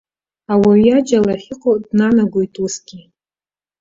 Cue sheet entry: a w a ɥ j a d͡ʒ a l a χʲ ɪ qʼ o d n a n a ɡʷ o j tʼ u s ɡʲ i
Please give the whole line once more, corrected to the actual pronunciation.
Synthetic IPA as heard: a w a ɥ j a d͡ʒ a l a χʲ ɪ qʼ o d n a n a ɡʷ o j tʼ u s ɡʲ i